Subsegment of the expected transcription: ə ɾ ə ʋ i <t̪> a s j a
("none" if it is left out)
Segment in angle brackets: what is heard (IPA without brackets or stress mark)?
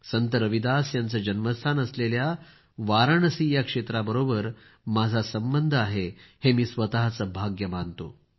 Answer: d̪